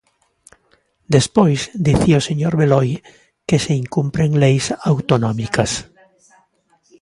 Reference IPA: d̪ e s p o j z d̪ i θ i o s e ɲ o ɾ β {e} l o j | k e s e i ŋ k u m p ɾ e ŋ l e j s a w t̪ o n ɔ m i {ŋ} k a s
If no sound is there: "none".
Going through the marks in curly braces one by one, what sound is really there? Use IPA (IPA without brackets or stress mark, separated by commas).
e, none